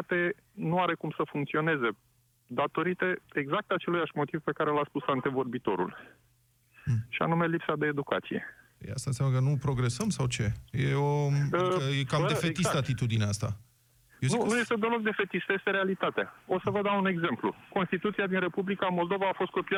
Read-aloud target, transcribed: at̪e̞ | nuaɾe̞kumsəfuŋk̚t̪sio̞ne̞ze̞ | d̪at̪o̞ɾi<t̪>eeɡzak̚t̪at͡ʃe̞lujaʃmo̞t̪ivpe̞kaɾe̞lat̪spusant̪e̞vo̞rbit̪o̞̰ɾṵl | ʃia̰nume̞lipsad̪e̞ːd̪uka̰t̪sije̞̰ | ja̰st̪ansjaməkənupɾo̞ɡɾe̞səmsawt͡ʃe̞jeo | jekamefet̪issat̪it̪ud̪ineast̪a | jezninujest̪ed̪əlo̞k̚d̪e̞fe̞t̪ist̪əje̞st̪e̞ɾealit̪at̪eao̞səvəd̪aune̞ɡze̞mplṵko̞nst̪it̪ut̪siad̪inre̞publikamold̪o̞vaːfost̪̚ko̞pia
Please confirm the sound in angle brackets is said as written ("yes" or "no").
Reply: yes